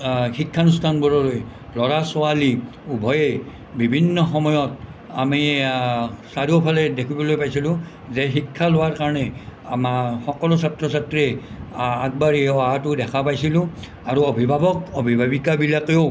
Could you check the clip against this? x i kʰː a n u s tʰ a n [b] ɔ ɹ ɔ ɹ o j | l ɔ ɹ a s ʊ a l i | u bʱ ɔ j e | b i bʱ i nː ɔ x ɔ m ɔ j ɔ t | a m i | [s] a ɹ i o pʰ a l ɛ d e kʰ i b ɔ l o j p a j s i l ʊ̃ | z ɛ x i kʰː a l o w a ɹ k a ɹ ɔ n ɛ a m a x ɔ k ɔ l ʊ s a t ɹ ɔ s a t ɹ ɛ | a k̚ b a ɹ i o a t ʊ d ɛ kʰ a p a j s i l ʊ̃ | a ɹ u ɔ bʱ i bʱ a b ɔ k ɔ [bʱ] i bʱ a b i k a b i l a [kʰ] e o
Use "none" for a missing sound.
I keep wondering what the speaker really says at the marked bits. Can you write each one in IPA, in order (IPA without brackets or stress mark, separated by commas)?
b, s, bʱ, k